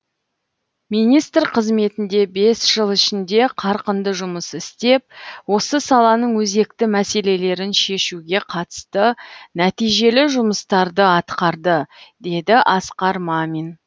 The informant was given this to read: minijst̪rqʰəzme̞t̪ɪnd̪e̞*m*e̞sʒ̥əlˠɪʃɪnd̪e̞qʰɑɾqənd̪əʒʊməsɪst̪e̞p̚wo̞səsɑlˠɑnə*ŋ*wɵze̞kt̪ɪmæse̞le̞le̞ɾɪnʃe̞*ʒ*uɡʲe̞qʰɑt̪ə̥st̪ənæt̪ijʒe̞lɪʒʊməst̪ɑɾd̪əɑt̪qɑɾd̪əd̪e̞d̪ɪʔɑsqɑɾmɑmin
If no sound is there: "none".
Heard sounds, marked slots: b, ɴ, ʃ

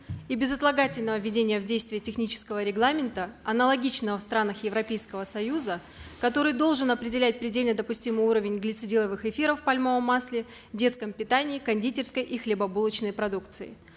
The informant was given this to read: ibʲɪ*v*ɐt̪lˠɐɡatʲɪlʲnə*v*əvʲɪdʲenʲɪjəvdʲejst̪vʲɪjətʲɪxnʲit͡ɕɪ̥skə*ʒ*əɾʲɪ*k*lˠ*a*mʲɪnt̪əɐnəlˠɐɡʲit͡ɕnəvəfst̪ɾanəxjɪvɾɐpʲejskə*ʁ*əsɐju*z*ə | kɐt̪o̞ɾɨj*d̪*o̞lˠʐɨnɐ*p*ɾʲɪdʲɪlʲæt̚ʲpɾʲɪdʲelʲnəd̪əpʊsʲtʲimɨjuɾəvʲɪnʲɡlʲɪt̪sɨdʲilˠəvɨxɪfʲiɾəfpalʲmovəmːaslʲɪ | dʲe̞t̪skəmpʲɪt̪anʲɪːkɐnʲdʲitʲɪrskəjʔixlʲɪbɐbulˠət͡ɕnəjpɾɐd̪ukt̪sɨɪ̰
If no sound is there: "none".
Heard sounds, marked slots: z, v, v, ɡ, a, v, z, d̪, p

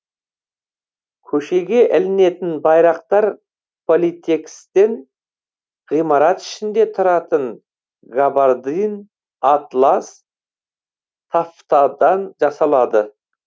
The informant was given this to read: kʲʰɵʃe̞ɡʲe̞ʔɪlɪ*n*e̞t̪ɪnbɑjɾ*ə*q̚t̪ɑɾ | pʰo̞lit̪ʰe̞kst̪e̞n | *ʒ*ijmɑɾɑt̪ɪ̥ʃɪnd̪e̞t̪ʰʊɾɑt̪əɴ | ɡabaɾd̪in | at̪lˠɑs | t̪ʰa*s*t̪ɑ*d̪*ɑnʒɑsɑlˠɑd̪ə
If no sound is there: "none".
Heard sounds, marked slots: n, ɑ, ʁ, f, d̪

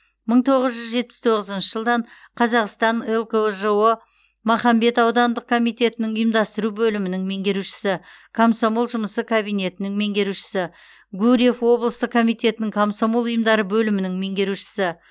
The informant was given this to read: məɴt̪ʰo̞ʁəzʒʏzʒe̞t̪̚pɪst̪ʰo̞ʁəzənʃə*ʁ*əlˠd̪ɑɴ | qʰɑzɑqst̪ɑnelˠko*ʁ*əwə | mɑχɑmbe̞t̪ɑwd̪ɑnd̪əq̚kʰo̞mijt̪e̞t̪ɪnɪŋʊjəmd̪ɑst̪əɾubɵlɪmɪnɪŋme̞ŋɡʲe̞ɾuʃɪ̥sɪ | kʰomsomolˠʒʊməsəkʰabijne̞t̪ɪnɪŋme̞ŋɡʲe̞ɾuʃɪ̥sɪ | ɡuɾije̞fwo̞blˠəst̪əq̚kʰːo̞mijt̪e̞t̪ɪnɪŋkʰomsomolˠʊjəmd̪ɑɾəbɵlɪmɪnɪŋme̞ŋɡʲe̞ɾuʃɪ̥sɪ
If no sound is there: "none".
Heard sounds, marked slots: ʒ, ʒ

